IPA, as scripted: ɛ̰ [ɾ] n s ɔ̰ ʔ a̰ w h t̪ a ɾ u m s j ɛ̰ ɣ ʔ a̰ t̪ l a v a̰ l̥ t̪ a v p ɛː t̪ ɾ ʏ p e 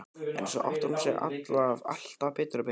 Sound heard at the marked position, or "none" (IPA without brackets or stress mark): none